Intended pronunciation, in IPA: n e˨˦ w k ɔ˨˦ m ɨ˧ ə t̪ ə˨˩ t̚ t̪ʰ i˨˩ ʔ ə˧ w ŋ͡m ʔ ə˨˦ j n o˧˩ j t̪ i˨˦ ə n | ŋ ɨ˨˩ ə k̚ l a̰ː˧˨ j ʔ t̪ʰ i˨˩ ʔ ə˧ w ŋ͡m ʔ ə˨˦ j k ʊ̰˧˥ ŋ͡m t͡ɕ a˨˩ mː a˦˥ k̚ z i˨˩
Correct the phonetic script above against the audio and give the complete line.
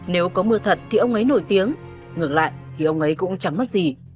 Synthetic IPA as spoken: n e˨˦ w k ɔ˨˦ m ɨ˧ ə t̪ʰ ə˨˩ t̚ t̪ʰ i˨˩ ʔ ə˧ w ŋ͡m ʔ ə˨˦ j n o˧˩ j t̪ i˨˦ ə ŋ | ŋ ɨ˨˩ ə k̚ l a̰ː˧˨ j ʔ t̪ʰ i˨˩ ʔ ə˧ w ŋ͡m ʔ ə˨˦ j k ʊ̰˧˥ ŋ͡m t͡ɕ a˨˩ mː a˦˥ t̚ z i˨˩

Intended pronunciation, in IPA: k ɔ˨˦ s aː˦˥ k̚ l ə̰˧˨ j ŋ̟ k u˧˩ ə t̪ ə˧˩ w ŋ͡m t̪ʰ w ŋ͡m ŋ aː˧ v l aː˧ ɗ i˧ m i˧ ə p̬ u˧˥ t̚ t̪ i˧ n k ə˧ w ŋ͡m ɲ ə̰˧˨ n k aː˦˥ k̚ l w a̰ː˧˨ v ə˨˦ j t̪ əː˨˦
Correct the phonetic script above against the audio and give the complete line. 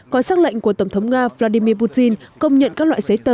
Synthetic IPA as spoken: k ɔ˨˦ s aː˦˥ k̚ l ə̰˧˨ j ŋ̟ k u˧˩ ə t̪ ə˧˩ w ŋ͡m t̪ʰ w ŋ͡m ŋ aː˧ v l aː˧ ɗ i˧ m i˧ ə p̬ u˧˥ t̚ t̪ i˧ n k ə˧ w ŋ͡m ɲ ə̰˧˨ n k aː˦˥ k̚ l w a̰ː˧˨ z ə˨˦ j t̪ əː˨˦

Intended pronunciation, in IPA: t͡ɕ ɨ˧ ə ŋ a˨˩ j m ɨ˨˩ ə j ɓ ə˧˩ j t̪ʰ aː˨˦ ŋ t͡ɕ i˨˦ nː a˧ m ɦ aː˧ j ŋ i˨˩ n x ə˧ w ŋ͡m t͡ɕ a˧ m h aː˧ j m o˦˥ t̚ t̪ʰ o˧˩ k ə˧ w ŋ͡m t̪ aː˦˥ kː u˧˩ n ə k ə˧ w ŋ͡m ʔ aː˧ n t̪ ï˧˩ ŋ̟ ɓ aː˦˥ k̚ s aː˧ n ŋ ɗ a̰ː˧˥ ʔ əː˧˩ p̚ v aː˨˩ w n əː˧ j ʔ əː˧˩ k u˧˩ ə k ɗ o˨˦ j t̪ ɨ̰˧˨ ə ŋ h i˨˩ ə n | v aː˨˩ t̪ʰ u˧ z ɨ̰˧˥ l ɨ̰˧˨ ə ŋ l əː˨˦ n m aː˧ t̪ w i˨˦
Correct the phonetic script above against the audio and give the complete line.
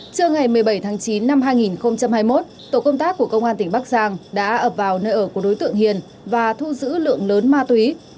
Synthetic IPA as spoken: t͡ɕ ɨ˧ ə ŋ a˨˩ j m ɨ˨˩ ə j ɓ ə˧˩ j t̪ʰ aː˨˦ ŋ t͡ɕ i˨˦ nː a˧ m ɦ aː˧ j ŋ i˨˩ n x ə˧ w ŋ͡m t͡ɕ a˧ m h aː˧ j m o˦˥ t̚ t̪ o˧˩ k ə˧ w ŋ͡m t̪ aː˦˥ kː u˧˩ ə k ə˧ w ŋ͡m ʔ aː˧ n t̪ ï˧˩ ŋ̟ ɓ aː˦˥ k̚ z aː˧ ŋ ɗ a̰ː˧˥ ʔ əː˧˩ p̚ v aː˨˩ w n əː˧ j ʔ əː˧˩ k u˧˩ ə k ɗ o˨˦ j t̪ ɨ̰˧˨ ə ŋ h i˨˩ ə n | v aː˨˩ t̪ʰ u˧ z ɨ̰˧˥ l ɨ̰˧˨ ə ŋ l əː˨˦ n m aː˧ t̪ w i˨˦

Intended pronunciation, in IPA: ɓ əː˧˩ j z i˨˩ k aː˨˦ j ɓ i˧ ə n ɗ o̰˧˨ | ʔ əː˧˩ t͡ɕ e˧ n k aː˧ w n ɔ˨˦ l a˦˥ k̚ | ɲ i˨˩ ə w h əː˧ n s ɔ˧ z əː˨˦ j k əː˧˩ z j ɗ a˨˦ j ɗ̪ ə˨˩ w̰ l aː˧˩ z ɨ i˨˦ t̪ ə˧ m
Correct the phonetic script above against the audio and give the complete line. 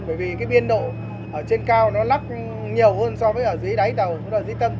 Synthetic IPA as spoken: ɓ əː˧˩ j v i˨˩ k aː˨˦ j ɓ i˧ ə n ɗ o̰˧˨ | ʔ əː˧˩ t͡ɕ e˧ n k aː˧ w n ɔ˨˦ l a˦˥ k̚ | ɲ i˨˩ ə w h əː˧ n s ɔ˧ v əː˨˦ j ʔ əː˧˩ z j ɗ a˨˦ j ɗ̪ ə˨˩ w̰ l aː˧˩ z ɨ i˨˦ t̪ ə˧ m

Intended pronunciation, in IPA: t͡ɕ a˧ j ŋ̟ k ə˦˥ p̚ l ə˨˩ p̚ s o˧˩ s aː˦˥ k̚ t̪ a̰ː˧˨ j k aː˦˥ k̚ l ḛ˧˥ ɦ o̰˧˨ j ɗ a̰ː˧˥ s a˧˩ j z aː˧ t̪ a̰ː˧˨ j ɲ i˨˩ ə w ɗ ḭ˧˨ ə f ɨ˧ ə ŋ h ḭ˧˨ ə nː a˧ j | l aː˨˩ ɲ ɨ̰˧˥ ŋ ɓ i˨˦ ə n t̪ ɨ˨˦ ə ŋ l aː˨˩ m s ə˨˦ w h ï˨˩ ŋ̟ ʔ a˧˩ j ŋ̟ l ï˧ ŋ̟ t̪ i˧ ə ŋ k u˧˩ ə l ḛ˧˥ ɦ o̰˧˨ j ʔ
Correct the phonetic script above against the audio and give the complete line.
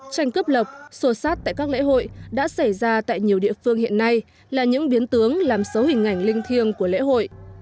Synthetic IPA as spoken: t͡ɕ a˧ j ŋ̟ k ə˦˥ p̚ l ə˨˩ p̚ s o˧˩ s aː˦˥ t̚ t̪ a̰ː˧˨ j k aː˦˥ k̚ l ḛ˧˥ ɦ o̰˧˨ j ɗ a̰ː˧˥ s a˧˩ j z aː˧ t̪ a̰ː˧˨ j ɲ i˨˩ ə w ɗ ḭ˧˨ ə f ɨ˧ ə ŋ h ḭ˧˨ ə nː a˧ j | l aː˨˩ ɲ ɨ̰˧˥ ŋ ɓ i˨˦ ə n t̪ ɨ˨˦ ə ŋ l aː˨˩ m s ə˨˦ w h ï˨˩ ŋ̟ ʔ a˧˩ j ŋ̟ l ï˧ ŋ̟ t̪ʰ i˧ ə ŋ k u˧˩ ə l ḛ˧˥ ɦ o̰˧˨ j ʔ

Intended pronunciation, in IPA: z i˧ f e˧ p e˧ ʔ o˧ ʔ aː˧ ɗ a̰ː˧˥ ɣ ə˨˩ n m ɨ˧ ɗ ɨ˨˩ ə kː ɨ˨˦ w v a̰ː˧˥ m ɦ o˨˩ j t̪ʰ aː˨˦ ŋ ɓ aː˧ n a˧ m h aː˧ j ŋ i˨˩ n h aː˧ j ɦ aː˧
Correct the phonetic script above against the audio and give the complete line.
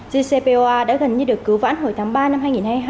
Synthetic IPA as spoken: z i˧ s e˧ p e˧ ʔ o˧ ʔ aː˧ ɗ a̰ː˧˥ ɣ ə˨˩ n ɲ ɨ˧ ɗ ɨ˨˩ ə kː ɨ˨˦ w v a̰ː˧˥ n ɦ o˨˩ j t̪ʰ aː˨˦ ŋ ɓ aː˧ n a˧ m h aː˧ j ŋ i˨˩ n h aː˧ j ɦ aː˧

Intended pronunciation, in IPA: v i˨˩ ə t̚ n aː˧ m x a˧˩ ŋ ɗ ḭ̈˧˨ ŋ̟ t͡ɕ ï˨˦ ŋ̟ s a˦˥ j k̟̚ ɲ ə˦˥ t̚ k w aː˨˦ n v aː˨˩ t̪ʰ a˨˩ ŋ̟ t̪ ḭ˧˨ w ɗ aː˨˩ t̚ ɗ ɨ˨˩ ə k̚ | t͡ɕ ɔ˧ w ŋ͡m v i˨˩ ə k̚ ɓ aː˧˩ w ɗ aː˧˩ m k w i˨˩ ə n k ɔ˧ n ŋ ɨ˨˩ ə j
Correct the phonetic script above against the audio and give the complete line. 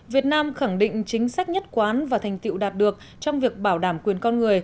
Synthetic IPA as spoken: v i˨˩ ə t̚ n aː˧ m x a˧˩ ŋ ɗ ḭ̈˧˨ ŋ̟ t͡ɕ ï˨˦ ŋ̟ s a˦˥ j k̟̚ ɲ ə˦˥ t̚ k w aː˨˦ n v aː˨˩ t̪ʰ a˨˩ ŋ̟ t̪ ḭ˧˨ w ɗ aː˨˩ t̚ ɗ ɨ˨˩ ə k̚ | t͡ɕ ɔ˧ w ŋ͡m v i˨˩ ə k̚ ɓ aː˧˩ w ɗ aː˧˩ m k w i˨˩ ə n k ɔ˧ n ŋ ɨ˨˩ ə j

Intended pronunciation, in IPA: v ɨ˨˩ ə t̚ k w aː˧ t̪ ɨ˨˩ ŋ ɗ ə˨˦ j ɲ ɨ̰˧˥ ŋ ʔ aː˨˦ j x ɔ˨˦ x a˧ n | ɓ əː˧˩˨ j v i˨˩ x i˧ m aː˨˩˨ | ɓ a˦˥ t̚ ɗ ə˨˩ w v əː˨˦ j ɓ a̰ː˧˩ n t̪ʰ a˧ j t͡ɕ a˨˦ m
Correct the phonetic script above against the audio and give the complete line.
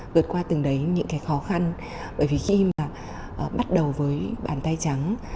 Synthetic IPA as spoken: v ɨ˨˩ ə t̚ k w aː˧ t̪ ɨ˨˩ ŋ ɗ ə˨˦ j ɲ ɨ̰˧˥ ŋ k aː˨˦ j x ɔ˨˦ x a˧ n | ɓ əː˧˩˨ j v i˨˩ x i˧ m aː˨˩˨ | ɓ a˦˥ t̚ ɗ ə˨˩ w v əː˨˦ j ɓ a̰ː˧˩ n t̪ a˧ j t͡ɕ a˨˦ ŋ

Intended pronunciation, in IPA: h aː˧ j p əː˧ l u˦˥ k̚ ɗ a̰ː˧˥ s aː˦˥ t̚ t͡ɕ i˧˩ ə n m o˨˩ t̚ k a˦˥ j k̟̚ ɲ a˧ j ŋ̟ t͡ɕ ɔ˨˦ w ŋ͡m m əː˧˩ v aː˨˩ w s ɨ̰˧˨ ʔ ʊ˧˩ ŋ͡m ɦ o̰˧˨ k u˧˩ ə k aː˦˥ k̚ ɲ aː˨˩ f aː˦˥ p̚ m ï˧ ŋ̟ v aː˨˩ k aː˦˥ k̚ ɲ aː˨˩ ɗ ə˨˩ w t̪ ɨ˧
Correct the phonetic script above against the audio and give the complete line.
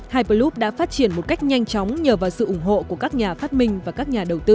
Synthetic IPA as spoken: h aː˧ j p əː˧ l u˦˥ p̚ ɗ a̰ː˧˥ f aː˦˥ t̚ t͡ɕ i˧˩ ə n m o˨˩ t̚ k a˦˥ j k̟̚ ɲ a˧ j ŋ̟ t͡ɕ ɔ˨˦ w ŋ͡m ɲ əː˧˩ v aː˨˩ w s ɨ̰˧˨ ʔ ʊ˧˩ ŋ͡m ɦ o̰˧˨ k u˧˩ ə k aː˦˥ k̚ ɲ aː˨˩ f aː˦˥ t̚ m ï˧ ŋ̟ v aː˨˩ k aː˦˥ k̚ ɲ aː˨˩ ɗ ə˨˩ w t̪ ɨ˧

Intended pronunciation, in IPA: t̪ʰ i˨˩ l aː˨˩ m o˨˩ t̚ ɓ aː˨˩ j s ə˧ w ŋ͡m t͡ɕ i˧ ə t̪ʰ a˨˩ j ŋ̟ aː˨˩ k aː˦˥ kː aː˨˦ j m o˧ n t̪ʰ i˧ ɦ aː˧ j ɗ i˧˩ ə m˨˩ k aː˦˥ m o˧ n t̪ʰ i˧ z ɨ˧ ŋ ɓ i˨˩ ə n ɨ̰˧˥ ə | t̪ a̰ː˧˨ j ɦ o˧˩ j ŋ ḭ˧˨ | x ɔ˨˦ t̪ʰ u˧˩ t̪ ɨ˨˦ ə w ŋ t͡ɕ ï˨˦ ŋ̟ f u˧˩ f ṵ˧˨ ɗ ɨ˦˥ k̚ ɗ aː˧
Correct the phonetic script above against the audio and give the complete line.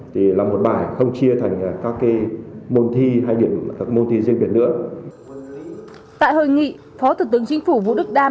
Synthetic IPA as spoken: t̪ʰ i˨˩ l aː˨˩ m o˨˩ t̚ ɓ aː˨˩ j x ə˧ w ŋ͡m t͡ɕ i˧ ə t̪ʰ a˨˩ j ŋ̟ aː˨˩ k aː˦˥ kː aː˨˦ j m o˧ n t̪ʰ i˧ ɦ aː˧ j ɗ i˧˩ ə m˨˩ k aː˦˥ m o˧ n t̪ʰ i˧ z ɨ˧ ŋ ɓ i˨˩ ə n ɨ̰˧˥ ə | t̪ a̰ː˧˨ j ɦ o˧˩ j ŋ ḭ˧˨ | f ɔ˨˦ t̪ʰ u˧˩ t̪ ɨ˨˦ ə ŋ t͡ɕ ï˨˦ ŋ̟ f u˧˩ v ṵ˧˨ ɗ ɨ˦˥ k̚ ɗ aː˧

